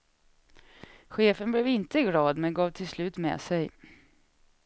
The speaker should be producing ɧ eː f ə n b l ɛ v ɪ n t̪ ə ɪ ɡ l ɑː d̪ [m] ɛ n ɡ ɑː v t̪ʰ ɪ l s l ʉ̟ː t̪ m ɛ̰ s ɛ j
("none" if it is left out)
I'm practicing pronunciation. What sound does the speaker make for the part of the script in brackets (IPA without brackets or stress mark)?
m